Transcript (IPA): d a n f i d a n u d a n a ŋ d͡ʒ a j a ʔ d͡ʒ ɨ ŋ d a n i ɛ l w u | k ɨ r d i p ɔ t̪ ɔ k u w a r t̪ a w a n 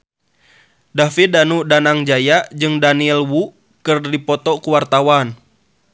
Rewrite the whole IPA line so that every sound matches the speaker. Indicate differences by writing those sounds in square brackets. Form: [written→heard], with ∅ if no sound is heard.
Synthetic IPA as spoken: d a [n→∅] f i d a n u d a n a ŋ d͡ʒ a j a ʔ d͡ʒ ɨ ŋ d a n i ɛ l w u | k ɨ r d i p ɔ t̪ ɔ k u w a r t̪ a w a n

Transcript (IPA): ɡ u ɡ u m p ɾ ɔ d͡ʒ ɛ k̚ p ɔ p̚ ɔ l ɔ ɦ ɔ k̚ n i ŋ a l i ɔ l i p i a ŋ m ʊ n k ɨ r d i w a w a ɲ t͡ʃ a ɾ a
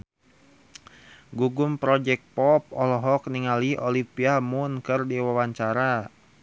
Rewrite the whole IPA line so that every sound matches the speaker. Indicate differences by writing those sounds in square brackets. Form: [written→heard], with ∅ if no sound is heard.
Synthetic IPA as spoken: ɡ u ɡ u m p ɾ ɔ d͡ʒ ɛ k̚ p ɔ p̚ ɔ l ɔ ɦ ɔ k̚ n i ŋ a l i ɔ l i p i a [ŋ→∅] m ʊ n k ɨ r d i w a w a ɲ t͡ʃ a ɾ a

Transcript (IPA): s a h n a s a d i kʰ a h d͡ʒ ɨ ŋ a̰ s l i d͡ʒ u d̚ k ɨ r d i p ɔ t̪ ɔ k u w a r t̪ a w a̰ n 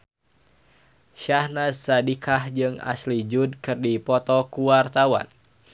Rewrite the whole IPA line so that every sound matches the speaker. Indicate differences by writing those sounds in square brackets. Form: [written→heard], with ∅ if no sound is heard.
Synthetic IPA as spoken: [s→ʃ] a h n a s a d i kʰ a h d͡ʒ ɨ ŋ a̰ s l i d͡ʒ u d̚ k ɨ r d i p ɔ t̪ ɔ k u w a r t̪ a w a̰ n

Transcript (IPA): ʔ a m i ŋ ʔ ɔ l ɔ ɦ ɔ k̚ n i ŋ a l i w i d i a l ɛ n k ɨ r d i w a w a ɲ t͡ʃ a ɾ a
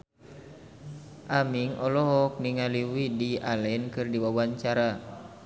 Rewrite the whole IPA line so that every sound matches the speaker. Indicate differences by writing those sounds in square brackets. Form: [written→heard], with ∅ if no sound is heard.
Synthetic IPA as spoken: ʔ a m i ŋ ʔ ɔ l ɔ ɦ ɔ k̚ n i ŋ a l i w i d i a l ɛ n k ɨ r d i w a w a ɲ t͡ʃ a ɾ a

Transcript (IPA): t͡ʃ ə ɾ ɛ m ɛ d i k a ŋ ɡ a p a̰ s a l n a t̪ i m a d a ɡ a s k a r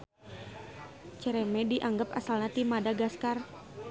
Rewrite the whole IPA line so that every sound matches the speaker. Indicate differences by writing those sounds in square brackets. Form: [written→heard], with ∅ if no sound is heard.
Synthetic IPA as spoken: t͡ʃ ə ɾ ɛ m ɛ d i [k→ʔ] a ŋ ɡ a p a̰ s a l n a t̪ i m a d a ɡ a s k a r

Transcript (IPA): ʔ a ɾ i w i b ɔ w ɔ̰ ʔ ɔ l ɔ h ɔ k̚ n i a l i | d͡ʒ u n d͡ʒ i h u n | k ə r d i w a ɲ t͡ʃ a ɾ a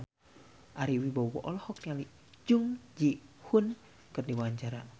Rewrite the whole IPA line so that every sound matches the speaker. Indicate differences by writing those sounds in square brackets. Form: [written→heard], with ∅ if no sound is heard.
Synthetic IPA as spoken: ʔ a ɾ i w i b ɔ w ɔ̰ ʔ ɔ l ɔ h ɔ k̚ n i a l i | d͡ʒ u [n→ŋ] d͡ʒ i h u n | k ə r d i w a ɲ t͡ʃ a ɾ a

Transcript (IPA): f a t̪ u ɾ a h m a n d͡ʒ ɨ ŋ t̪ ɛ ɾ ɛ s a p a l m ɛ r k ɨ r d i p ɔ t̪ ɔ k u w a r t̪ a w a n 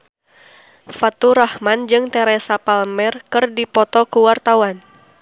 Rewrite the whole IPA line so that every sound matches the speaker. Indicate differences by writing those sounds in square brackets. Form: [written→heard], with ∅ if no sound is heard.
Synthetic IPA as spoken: f a t̪ u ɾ a h m a n d͡ʒ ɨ ŋ t̪ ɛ ɾ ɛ s a p a l m ɛ r k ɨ r d i p ɔ t̪ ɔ k u w a r t̪ a w a n

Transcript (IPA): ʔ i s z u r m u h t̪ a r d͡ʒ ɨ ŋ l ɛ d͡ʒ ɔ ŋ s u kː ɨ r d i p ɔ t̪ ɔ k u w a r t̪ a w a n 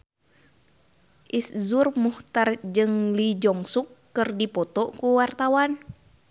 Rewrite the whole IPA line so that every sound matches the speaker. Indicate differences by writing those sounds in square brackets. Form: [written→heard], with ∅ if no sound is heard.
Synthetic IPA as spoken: ʔ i s z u r m u h t̪ a r d͡ʒ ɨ ŋ l [ɛ→i] d͡ʒ ɔ ŋ s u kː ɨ r d i p ɔ t̪ ɔ k u w a r t̪ a w a n

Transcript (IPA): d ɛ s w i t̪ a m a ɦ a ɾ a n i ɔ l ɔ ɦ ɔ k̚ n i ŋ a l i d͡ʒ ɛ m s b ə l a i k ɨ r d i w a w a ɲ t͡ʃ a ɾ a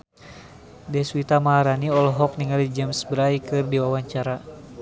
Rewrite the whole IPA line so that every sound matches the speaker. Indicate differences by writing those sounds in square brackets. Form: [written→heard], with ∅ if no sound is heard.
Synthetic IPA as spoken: d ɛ s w i t̪ a m a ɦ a ɾ a n i ɔ l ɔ ɦ ɔ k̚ n i ŋ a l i d͡ʒ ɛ m s b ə [l→ɾ] a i k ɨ r d i w a w a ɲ t͡ʃ a ɾ a

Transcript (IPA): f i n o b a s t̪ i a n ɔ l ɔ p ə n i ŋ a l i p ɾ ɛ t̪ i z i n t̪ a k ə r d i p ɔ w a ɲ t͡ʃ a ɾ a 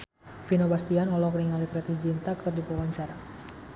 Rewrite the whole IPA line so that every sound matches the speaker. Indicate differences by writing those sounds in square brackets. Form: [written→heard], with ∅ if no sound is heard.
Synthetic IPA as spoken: f i n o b a s t̪ i a n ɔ l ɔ [p→k] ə n i ŋ a l i p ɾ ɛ t̪ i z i n t̪ a k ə r d i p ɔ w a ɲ t͡ʃ a ɾ a

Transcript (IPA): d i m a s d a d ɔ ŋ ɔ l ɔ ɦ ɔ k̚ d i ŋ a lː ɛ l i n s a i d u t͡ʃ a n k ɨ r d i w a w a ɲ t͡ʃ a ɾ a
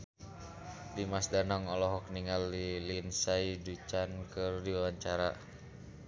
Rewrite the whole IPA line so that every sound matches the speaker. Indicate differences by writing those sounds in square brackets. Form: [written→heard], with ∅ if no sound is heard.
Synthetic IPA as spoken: d i m a s d a [d→n] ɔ ŋ ɔ l ɔ ɦ ɔ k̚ [d→n] i ŋ a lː [ɛ→i] l i n s a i d u t͡ʃ a n k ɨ r d i w a w a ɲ t͡ʃ a ɾ a

